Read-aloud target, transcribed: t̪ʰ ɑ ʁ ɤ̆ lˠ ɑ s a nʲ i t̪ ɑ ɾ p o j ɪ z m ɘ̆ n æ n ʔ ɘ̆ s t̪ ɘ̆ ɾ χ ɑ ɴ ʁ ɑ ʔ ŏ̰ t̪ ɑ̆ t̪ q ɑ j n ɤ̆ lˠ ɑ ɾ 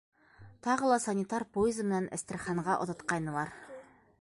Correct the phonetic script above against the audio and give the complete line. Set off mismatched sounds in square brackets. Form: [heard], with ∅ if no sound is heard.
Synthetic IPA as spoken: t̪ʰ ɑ ʁ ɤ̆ lˠ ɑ s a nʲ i t̪ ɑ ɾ p o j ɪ z m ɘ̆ n æ n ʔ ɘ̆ s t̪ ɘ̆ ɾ χ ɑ ɴ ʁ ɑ ʔ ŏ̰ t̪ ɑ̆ t̪ q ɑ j n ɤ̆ lˠ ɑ ɾ